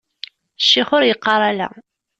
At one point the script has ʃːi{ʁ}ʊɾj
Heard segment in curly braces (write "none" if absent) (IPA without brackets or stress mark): χ